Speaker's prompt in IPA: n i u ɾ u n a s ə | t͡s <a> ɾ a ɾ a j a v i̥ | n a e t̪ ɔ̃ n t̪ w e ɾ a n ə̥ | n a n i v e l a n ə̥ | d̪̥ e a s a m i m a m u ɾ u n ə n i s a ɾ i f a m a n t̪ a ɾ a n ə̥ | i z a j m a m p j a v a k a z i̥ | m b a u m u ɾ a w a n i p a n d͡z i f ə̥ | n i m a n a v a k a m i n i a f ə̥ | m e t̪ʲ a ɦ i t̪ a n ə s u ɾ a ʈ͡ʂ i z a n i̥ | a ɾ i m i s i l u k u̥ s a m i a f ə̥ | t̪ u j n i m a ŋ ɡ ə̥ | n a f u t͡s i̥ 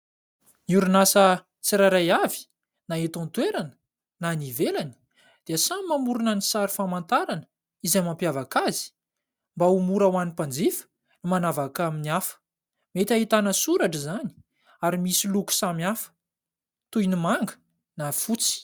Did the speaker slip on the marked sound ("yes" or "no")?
yes